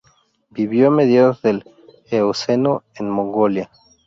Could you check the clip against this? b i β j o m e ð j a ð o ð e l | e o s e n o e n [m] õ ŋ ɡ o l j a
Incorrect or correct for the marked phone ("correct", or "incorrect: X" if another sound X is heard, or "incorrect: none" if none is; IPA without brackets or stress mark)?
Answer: correct